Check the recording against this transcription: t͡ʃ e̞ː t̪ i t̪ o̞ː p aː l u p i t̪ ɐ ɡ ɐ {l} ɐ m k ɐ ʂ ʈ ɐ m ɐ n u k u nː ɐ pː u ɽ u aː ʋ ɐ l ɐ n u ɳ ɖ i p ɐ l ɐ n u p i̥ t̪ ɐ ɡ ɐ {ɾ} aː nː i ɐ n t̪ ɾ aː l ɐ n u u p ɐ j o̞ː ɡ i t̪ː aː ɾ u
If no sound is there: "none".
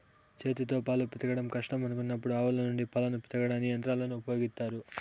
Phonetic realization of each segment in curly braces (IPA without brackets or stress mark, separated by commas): ɽ, ɽ